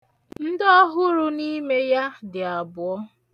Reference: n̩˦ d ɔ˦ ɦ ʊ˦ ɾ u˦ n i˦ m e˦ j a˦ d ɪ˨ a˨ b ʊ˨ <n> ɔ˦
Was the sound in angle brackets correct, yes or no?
no